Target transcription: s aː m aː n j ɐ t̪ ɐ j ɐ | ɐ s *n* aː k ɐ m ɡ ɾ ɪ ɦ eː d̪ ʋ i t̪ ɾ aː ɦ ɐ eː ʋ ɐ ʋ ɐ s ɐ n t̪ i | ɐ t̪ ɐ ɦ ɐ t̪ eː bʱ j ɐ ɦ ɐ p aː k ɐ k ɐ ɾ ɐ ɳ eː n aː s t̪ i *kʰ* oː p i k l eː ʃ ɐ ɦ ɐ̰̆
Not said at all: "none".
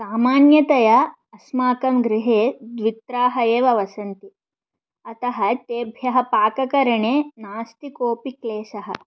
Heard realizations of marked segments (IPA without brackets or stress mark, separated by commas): m, k